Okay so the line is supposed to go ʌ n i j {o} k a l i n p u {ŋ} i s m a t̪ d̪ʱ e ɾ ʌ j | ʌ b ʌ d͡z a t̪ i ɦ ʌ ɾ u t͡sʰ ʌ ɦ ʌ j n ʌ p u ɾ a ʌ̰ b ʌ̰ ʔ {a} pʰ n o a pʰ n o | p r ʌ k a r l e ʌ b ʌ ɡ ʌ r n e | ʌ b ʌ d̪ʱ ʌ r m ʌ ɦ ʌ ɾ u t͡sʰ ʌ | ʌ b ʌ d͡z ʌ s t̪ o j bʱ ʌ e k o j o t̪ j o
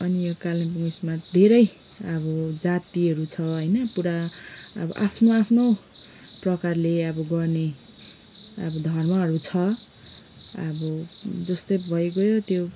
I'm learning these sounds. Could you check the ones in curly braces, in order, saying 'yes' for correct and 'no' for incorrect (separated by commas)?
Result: yes, yes, yes